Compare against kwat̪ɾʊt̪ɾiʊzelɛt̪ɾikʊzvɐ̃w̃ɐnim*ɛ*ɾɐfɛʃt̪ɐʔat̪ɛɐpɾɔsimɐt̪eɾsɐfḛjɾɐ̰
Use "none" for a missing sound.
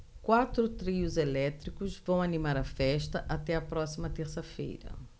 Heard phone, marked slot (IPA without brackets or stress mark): a